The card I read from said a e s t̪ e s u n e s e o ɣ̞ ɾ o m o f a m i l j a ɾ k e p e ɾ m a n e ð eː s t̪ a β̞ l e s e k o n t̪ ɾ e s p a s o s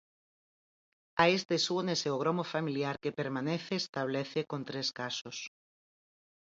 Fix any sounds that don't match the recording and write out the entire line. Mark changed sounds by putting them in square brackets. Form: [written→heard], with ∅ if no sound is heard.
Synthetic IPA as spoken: a e s t̪ e s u n e s e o ɣ̞ ɾ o m o f a m i l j a ɾ k e p e ɾ m a n e [ð→θ] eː s t̪ a β̞ l e [s→θ] e k o n t̪ ɾ e s [p→k] a s o s